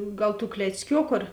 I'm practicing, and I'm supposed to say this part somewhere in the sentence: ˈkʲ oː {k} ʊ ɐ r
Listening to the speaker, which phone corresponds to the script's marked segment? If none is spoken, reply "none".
k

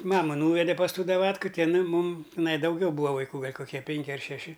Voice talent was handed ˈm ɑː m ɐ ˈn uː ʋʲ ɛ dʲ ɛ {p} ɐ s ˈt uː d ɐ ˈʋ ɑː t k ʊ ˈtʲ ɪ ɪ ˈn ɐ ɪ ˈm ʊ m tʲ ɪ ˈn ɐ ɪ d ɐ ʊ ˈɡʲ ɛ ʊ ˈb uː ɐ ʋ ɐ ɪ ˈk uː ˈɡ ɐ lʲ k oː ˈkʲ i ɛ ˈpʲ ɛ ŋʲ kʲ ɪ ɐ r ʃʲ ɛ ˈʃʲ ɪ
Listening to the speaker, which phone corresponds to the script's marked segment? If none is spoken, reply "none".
p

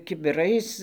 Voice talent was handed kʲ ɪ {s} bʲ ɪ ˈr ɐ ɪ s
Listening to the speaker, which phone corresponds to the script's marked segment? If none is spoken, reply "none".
none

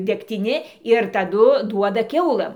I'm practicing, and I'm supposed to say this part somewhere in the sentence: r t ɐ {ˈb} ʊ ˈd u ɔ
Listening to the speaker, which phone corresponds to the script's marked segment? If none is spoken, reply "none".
d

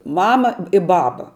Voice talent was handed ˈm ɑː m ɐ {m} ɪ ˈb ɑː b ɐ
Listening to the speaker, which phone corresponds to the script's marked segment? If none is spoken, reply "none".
none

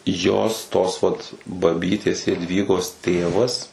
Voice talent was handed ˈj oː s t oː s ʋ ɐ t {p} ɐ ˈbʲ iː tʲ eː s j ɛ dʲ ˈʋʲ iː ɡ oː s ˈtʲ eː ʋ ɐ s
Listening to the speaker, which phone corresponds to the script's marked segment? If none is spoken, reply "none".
b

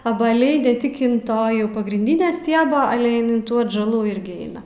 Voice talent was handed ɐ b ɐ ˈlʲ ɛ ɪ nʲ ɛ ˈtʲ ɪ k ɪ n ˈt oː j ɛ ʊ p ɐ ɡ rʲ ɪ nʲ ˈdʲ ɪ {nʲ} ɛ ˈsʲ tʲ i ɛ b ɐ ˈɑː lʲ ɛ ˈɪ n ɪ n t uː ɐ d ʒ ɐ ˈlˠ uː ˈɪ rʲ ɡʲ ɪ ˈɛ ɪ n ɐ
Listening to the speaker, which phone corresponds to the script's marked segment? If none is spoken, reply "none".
nʲ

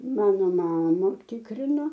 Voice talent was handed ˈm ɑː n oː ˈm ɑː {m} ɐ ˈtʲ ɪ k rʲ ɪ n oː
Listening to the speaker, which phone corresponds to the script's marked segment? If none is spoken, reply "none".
m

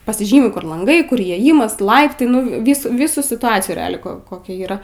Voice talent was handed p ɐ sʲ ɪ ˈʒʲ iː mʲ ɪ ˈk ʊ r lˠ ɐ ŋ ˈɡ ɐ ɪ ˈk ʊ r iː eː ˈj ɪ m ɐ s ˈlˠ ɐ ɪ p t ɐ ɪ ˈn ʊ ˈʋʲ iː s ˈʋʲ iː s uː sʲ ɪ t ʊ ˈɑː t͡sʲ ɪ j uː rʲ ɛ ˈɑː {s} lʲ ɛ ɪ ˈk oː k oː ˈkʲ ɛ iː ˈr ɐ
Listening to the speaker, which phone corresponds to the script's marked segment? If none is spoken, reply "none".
none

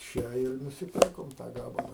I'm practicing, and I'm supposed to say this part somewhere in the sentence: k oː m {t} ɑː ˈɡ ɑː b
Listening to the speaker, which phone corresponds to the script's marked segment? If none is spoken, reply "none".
t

